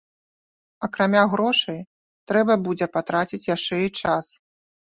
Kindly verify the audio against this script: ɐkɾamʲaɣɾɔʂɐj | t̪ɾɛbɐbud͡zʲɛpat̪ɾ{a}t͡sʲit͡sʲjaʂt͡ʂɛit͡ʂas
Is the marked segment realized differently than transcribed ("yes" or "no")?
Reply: no